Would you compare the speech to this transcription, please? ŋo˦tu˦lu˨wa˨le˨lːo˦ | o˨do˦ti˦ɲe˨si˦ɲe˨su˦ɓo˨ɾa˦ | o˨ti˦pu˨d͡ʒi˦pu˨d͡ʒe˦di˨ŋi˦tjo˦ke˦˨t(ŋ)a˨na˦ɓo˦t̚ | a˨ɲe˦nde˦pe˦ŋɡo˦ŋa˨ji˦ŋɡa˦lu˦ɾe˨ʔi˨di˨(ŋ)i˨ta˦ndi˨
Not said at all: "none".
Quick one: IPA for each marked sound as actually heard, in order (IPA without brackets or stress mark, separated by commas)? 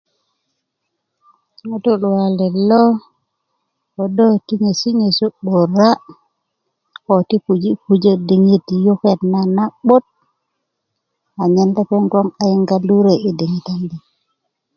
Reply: n, ŋ